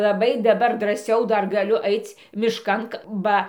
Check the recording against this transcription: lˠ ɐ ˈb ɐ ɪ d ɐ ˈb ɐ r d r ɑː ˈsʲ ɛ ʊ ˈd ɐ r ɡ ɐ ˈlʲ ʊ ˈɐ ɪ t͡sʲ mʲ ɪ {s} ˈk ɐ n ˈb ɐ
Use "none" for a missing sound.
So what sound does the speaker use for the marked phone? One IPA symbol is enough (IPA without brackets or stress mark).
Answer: ʃ